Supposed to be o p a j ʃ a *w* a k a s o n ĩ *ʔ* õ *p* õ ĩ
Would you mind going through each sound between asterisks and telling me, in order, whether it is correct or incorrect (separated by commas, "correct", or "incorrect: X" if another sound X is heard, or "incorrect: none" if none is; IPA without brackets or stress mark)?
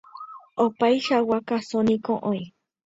correct, incorrect: k, incorrect: ʔ